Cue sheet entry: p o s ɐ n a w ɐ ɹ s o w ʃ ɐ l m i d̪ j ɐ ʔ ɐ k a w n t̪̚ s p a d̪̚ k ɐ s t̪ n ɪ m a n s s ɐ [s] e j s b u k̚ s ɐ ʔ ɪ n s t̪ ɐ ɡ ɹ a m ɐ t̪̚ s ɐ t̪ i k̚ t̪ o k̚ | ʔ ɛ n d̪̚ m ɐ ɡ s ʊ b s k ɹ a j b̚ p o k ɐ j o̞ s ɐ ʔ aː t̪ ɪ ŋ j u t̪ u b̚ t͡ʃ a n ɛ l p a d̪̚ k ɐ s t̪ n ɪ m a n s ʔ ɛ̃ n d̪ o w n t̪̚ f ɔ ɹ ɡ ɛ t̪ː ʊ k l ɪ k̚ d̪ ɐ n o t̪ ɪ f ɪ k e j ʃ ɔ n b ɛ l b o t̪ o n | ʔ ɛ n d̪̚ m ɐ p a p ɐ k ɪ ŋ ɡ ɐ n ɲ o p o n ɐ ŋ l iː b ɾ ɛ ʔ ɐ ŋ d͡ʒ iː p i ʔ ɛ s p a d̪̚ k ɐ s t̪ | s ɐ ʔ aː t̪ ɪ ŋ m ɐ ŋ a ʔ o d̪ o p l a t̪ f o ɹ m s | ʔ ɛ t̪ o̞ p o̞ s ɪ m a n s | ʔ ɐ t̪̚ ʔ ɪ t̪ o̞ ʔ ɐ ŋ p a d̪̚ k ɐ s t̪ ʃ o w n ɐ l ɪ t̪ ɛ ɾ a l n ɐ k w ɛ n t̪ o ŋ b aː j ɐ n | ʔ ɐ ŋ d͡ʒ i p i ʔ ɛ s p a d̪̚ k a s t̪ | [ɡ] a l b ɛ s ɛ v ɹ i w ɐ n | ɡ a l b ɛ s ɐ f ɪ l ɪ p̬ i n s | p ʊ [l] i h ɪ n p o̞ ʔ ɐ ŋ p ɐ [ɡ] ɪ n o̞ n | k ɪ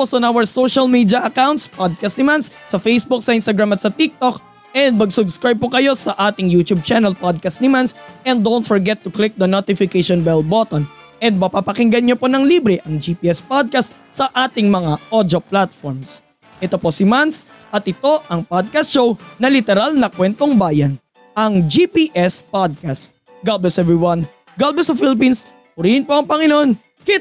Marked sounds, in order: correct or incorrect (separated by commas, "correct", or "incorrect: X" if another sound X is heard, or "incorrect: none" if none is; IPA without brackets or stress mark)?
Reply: incorrect: f, correct, incorrect: ɾ, incorrect: ŋ